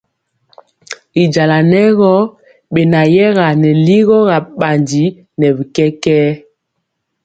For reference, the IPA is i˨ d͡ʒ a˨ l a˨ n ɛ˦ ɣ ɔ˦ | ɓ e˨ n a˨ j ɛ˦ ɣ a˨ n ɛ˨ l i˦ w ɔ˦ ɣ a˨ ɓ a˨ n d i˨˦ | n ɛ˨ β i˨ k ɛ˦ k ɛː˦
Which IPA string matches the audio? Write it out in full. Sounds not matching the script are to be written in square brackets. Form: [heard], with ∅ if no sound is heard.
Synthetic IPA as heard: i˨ d͡ʒ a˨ l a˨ n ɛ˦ ɣ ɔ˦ | ɓ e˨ n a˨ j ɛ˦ ɣ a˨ n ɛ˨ l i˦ [ɣ] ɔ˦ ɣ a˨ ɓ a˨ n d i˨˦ | n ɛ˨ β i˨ k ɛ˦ k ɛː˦